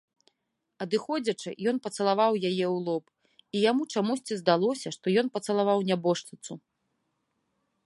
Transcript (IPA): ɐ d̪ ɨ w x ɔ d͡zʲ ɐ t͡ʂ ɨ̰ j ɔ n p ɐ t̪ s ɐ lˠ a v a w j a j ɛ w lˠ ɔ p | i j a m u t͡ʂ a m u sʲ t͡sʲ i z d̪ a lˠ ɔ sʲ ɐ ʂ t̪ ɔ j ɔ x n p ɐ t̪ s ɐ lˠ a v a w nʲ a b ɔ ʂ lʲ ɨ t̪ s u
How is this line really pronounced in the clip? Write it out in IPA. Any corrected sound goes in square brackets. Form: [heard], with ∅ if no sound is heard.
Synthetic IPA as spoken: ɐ d̪ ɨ [∅] x ɔ d͡zʲ ɐ t͡ʂ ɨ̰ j ɔ n p ɐ t̪ s ɐ lˠ a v a w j a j ɛ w lˠ ɔ p | i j a m u t͡ʂ a m u sʲ t͡sʲ i z d̪ a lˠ ɔ sʲ ɐ ʂ t̪ ɔ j ɔ [∅] n p ɐ t̪ s ɐ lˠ a v a w nʲ a b ɔ ʂ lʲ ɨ t̪ s u